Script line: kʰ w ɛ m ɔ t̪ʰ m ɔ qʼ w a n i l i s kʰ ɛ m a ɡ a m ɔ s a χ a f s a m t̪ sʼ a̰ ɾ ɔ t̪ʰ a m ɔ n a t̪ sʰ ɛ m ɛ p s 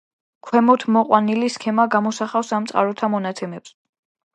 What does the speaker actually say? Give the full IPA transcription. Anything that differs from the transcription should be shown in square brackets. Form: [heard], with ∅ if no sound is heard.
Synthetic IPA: kʰ w ɛ m ɔ t̪ʰ m ɔ qʼ w a n i l i s kʰ ɛ m a ɡ a m ɔ s a χ a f s a m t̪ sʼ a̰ ɾ ɔ t̪ʰ a m ɔ n a t̪ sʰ ɛ m ɛ p s